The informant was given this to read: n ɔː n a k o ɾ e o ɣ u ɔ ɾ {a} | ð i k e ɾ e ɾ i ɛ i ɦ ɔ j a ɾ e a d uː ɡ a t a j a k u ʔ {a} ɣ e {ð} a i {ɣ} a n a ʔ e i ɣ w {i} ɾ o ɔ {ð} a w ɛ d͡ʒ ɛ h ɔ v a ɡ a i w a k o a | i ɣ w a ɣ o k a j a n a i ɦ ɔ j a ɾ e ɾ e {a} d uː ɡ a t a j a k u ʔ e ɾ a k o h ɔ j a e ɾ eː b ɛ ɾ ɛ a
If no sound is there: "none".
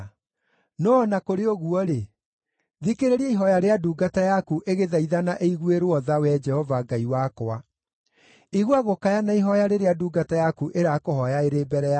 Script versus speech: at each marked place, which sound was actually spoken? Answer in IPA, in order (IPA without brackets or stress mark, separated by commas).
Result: e, e, ð, ð, e, ð, a